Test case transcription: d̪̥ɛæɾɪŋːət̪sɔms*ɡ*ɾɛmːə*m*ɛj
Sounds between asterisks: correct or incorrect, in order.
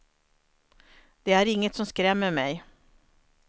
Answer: incorrect, correct

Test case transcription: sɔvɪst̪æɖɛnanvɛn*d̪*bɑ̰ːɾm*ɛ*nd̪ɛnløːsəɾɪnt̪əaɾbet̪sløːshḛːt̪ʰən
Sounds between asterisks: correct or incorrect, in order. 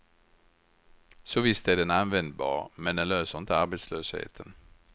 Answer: correct, correct

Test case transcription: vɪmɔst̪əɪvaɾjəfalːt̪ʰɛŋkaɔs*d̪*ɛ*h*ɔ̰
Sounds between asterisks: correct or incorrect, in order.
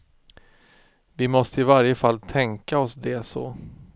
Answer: correct, incorrect

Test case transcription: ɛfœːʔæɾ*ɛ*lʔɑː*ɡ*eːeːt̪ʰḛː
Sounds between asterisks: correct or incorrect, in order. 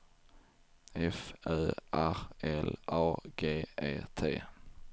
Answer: correct, correct

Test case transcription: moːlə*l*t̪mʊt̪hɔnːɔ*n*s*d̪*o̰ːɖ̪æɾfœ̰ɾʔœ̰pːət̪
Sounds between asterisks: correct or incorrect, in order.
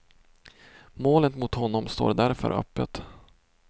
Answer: incorrect, incorrect, incorrect

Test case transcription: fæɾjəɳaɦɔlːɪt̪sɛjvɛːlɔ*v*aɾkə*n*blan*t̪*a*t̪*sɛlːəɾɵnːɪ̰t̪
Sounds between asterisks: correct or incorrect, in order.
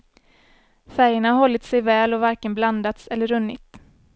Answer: correct, correct, incorrect, correct

